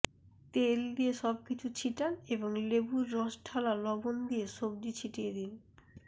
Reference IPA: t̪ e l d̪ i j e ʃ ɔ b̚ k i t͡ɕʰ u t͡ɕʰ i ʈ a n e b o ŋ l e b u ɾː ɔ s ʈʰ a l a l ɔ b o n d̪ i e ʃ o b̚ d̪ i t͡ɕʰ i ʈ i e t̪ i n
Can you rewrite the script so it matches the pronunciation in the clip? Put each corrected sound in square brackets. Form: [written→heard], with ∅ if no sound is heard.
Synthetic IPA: t̪ e l d̪ i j e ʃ ɔ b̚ k i t͡ɕʰ u t͡ɕʰ i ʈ a n e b o ŋ l e b u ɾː ɔ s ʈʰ a l a l ɔ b o n d̪ i e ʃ o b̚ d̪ i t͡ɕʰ i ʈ i e [t̪→d̪] i n